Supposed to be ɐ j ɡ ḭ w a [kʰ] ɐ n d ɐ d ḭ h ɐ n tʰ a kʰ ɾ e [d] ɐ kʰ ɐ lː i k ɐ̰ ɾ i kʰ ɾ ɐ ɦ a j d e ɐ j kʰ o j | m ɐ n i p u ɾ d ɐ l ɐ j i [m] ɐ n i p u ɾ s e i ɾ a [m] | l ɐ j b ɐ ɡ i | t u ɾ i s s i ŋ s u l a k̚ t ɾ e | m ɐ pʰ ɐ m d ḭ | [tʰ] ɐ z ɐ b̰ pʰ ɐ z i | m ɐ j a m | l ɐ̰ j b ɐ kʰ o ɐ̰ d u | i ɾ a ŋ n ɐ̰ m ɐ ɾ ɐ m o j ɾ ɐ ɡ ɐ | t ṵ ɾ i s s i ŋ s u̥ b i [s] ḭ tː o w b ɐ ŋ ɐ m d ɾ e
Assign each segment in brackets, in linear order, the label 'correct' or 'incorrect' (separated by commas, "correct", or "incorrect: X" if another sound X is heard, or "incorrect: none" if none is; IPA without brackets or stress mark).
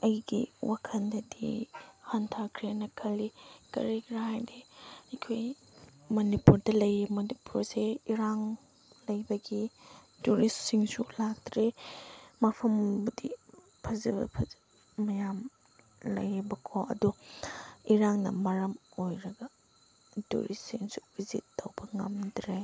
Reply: correct, incorrect: n, correct, incorrect: ŋ, incorrect: pʰ, incorrect: z